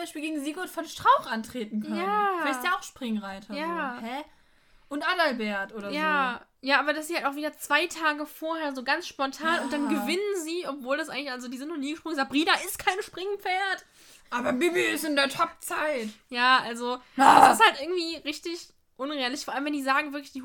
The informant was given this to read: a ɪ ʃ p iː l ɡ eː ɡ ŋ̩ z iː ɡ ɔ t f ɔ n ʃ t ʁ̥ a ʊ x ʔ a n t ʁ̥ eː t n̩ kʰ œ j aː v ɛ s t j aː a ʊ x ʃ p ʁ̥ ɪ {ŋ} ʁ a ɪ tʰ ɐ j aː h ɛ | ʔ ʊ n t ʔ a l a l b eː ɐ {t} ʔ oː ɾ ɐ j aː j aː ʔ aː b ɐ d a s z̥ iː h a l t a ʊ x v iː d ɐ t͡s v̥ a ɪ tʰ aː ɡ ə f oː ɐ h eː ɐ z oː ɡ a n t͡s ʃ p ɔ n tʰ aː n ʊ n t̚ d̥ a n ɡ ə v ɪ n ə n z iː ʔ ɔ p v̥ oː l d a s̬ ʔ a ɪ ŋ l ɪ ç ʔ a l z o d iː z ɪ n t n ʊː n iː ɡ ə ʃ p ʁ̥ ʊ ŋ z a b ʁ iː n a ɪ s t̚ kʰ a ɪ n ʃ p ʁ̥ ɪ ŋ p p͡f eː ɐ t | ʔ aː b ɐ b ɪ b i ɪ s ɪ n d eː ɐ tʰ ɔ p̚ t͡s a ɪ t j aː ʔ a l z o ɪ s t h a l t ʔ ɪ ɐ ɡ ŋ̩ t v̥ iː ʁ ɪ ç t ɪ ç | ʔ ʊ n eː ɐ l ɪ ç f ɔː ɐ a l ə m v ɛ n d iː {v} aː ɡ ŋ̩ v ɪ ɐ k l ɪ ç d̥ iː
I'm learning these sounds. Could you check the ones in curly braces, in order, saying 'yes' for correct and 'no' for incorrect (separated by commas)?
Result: yes, yes, no